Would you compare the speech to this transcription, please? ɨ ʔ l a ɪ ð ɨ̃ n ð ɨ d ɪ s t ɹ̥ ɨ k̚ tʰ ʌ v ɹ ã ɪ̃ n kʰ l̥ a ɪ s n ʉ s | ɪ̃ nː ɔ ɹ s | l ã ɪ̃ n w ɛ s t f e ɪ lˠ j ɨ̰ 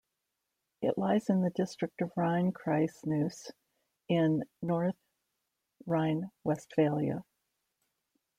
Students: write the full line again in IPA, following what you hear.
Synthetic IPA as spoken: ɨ ʔ l a ɪ z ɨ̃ n ð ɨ d ɪ s t ɹ̥ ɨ k̚ t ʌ v ɹ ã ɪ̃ n kʰ ɹ̥ a ɪ s n ʉ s | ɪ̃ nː ɔ ɹ θ | ɹ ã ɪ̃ n w ɛ s t f e ɪ lˠ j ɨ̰